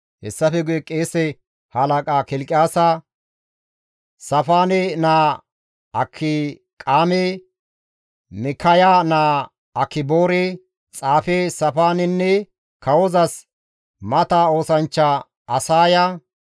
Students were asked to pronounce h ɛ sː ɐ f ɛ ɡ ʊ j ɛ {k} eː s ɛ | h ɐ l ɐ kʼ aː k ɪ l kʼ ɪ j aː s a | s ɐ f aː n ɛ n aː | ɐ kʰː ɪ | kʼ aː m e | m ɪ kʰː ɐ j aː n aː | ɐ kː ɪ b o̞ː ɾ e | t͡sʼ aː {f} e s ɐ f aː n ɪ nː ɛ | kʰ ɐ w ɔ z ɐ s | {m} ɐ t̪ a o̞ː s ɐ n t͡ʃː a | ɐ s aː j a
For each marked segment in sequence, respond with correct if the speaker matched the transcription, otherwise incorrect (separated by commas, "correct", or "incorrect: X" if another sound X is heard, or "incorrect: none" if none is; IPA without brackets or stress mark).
incorrect: kʼ, correct, correct